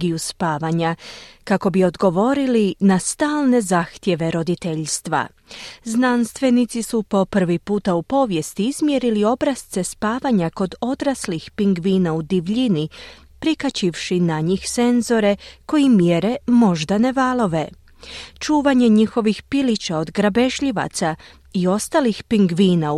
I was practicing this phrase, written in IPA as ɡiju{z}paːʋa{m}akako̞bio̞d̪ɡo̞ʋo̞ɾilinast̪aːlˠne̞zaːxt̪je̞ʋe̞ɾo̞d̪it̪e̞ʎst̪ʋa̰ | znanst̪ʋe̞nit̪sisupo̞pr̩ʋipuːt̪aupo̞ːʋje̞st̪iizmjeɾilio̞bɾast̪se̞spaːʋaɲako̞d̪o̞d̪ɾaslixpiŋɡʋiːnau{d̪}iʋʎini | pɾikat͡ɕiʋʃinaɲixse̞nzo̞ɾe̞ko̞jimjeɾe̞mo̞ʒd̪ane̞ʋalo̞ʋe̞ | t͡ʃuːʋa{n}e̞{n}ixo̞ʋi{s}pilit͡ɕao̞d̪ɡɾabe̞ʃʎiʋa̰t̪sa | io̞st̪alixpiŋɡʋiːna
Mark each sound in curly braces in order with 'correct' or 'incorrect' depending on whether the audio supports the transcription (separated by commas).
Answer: incorrect, incorrect, correct, incorrect, incorrect, incorrect